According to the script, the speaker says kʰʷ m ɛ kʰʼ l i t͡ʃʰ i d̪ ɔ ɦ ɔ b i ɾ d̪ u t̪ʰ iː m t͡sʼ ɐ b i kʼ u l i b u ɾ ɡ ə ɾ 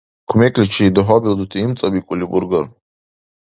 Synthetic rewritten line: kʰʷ m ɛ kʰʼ l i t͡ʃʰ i d̪ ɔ ɦ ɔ b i l d̪ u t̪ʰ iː m t͡sʼ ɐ b i kʼ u l i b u ɾ ɡ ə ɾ